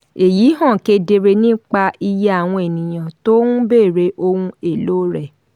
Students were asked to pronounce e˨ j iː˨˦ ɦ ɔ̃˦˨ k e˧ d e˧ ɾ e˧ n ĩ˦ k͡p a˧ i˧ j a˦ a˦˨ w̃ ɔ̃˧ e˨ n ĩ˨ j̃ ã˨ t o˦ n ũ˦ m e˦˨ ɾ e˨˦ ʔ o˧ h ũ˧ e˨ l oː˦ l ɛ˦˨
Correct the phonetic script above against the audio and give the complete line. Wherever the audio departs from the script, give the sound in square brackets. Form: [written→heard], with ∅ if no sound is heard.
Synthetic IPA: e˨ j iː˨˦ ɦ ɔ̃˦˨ k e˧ d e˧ ɾ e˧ n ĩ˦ k͡p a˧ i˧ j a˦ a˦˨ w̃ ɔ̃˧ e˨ n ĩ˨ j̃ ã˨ t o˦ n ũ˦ [m→b] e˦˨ ɾ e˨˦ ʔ o˧ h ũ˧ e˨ l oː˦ [l→ɾ] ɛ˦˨